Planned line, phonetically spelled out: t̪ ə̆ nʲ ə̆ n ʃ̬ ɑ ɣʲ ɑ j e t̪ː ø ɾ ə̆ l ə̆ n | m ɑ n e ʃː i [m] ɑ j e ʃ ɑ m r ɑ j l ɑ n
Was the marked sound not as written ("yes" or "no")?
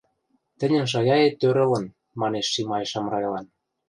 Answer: no